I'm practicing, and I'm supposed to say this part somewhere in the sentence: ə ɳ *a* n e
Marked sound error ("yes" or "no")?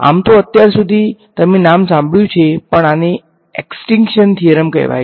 no